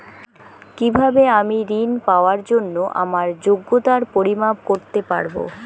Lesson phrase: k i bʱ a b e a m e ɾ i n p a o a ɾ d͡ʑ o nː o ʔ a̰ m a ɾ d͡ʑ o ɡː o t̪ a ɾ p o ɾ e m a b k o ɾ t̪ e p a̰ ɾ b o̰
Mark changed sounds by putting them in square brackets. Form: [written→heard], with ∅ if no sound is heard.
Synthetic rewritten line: k i bʱ a b e a m [e→i] ɾ i n p a o a ɾ d͡ʑ o nː o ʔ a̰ m a ɾ d͡ʑ o ɡː o t̪ a ɾ p o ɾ [e→i] m a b k o ɾ t̪ e p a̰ ɾ b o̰